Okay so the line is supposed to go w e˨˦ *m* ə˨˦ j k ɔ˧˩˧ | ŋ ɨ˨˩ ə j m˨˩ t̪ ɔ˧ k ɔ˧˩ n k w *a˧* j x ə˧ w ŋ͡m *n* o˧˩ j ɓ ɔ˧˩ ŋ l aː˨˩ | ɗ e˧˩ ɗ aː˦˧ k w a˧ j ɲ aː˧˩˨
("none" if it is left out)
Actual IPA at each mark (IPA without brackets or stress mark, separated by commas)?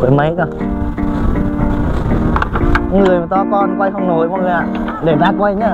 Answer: m, a˧, n